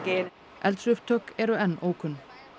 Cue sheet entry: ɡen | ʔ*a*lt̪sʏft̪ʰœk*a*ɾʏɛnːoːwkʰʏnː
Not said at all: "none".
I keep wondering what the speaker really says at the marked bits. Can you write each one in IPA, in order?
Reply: ɛ, ɛ

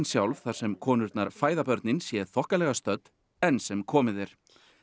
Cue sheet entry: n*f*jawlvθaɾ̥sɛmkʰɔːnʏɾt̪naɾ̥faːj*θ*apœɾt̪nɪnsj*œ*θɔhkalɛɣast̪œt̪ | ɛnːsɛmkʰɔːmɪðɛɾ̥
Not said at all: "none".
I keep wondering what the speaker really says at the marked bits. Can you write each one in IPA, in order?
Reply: s, ð, ɛ

